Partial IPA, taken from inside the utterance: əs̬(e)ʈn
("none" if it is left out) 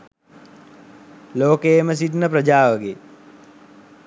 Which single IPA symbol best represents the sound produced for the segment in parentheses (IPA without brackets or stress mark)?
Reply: i